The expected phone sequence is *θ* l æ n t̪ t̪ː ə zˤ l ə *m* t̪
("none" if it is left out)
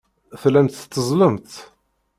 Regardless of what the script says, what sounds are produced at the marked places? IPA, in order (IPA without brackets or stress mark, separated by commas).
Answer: θ, m